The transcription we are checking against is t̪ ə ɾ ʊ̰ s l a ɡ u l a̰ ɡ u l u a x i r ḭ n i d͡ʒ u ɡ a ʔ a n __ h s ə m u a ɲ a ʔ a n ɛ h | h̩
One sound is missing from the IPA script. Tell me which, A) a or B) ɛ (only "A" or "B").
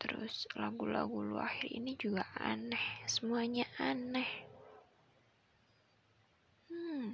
B